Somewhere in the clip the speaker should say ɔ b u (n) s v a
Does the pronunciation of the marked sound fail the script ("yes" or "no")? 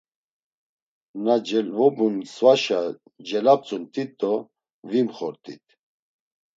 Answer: no